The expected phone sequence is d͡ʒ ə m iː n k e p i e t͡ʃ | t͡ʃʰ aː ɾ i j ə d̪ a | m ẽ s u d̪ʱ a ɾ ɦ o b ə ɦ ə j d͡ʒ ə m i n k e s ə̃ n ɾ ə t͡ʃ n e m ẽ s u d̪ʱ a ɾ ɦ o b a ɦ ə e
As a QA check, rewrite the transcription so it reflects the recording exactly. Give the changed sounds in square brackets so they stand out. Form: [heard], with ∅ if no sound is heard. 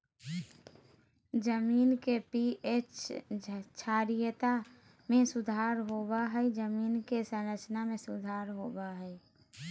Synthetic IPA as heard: d͡ʒ ə m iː n k e p i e t͡ʃ | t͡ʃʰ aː ɾ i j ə [t̪] a | m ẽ s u d̪ʱ a ɾ ɦ o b [a] ɦ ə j d͡ʒ ə m i n k e s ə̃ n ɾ ə t͡ʃ n [a] m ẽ s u d̪ʱ a ɾ ɦ o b a ɦ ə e